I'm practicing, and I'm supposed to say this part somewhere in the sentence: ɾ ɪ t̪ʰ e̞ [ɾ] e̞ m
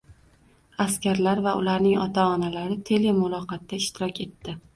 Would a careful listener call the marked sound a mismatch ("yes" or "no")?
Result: yes